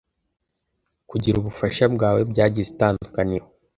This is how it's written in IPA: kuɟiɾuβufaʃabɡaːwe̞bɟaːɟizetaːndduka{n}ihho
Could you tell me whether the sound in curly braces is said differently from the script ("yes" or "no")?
no